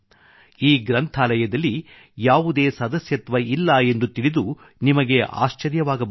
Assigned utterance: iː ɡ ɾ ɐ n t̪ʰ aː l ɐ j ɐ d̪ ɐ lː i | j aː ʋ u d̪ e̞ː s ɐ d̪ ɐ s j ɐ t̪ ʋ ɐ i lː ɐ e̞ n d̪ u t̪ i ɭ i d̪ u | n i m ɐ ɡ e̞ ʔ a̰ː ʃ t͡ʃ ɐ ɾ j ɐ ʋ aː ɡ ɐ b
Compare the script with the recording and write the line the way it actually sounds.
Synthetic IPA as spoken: iː ɡ ɾ ɐ n t̪ʰ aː l ɐ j ɐ d̪ ɐ lː i | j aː ʋ u d̪ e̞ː s ɐ d̪ ɐ s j ɐ t̪ ʋ ɐ i lː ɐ e̞ n d̪ u t̪ i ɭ i d̪ u | n i m ɐ ɡ e̞ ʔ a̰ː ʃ t͡ʃ ɐ ɾ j ɐ ʋ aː ɡ ɐ b